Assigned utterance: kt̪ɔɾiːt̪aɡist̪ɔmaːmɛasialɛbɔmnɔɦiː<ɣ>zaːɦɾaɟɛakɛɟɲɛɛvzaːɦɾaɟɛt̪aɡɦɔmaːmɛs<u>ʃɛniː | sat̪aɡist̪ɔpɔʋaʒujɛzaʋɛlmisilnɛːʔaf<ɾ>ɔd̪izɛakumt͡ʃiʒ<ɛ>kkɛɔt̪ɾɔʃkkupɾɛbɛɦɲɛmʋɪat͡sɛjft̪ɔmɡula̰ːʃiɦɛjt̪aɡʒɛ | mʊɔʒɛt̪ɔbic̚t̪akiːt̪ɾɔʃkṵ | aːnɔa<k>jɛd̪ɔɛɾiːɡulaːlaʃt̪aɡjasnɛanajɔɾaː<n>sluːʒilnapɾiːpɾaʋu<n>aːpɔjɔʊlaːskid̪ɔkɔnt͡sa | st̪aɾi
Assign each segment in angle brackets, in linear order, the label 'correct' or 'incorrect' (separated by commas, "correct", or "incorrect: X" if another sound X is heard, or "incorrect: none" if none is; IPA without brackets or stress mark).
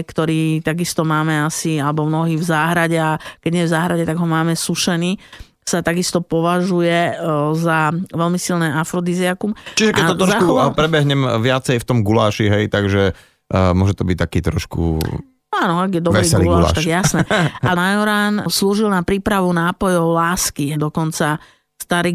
incorrect: v, correct, correct, correct, incorrect: ɡ, correct, correct